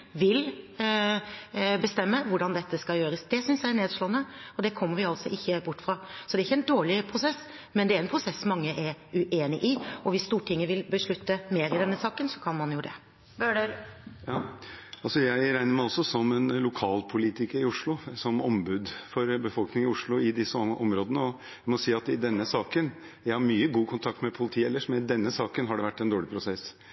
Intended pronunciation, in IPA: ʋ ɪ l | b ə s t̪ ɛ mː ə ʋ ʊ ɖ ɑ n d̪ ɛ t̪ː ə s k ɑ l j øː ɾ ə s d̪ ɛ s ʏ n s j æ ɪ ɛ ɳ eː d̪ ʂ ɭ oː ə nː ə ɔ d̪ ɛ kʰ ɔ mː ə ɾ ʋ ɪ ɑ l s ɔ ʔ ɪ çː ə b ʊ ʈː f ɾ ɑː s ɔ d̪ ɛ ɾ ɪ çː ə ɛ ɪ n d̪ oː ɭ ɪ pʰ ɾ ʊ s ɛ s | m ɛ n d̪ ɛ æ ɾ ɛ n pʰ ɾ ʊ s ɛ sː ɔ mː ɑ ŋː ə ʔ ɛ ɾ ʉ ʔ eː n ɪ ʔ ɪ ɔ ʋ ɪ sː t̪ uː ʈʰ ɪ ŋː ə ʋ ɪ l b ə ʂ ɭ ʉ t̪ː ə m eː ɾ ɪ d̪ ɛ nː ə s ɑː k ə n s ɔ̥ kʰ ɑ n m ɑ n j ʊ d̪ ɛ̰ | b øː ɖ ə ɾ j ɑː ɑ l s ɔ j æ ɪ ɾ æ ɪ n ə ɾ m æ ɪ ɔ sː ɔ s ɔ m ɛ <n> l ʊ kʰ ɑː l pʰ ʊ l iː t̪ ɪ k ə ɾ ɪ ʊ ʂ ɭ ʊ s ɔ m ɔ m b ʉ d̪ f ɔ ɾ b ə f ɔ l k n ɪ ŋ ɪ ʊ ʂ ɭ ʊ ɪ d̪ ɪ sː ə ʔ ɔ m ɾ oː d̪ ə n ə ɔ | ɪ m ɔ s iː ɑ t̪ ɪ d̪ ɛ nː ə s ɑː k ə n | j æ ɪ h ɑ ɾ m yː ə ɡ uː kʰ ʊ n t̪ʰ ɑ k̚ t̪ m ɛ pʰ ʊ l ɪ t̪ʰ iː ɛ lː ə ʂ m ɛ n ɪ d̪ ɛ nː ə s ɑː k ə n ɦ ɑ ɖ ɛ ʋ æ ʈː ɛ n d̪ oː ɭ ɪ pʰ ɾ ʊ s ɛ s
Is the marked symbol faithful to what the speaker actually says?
yes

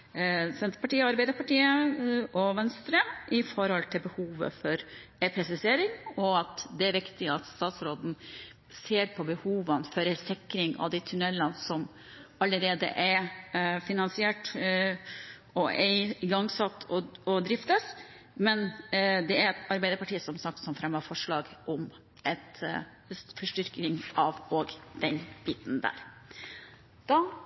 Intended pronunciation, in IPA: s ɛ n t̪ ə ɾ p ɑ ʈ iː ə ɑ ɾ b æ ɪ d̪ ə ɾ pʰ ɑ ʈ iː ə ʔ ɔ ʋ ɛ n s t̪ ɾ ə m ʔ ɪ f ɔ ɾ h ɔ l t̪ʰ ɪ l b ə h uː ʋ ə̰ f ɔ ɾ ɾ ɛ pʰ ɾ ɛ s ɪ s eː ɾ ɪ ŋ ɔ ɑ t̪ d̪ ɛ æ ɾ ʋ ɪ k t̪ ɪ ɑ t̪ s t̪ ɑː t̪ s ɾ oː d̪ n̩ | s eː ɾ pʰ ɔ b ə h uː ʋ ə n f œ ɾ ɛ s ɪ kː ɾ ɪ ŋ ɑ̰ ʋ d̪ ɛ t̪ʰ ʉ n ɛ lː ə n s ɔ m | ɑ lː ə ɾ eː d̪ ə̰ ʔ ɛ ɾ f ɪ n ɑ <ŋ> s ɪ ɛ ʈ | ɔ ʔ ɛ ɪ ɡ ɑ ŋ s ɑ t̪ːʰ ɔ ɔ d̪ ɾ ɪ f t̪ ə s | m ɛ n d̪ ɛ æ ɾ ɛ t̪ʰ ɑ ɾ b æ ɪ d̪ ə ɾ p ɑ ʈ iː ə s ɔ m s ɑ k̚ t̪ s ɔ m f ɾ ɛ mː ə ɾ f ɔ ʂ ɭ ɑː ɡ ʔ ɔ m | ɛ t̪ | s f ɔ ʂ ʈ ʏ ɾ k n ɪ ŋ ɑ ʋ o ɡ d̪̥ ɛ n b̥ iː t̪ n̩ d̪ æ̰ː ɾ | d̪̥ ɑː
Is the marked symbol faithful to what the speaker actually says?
no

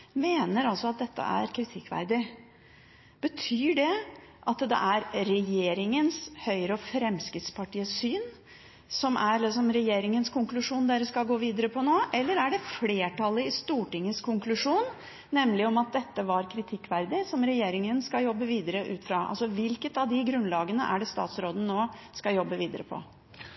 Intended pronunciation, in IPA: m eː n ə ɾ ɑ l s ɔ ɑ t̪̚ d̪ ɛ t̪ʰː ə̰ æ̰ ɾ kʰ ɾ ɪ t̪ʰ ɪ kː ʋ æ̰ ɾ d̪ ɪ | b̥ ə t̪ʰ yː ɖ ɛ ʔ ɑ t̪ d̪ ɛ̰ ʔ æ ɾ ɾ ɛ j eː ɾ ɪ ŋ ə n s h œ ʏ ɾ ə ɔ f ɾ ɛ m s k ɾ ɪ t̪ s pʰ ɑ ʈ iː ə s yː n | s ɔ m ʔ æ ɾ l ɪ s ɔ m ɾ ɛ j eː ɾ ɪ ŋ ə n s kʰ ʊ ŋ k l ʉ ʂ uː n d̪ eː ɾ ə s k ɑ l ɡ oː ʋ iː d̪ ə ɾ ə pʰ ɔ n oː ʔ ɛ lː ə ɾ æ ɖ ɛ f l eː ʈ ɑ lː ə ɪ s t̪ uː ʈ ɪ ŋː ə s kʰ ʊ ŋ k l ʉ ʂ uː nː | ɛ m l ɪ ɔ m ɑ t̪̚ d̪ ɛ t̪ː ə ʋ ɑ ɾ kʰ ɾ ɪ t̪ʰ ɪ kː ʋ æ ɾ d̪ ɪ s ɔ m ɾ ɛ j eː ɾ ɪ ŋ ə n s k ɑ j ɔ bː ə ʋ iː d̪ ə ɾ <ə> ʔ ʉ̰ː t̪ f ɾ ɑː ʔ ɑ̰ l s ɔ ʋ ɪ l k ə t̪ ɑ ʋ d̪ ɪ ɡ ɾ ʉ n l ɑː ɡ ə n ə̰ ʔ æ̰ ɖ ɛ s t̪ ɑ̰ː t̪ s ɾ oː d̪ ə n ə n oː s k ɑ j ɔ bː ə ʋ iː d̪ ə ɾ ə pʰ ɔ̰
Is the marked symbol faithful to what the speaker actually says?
yes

